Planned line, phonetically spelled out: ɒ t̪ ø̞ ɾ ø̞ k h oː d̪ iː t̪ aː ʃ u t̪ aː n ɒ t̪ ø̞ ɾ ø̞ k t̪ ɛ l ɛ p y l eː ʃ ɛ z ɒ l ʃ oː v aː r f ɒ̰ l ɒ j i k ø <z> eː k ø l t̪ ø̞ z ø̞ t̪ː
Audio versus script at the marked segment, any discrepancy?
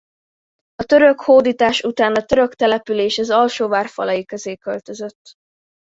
no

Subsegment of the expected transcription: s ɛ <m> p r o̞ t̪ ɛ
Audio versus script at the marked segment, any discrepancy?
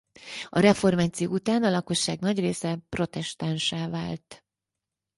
yes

